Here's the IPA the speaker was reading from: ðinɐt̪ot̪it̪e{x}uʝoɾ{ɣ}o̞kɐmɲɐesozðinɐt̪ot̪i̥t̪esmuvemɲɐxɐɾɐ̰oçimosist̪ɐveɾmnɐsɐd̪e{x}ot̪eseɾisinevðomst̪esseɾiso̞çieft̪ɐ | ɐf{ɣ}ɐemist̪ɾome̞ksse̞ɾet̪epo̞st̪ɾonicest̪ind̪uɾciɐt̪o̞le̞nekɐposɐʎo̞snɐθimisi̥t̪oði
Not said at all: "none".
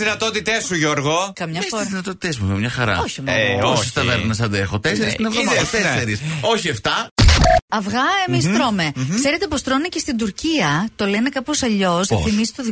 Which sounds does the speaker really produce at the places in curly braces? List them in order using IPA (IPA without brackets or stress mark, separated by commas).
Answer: s, ɣ, x, ɣ